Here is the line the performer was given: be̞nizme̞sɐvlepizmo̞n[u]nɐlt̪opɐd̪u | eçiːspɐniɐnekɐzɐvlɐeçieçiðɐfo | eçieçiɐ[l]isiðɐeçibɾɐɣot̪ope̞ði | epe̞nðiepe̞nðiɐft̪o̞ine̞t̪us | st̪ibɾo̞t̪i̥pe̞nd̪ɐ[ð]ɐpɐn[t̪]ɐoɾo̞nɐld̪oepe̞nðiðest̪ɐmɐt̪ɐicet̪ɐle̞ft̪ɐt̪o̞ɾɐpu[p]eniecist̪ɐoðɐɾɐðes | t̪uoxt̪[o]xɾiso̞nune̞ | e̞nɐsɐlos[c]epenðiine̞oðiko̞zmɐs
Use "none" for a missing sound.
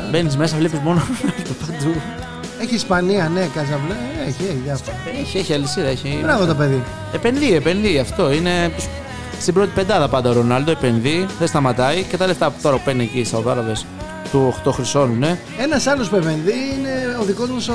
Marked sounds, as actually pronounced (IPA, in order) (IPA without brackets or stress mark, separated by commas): o, l, ð, d̪, p, o, p